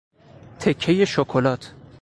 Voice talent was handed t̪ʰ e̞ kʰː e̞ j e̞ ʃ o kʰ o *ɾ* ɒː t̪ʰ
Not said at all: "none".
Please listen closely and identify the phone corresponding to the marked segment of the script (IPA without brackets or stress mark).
l